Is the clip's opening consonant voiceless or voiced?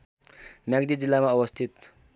voiced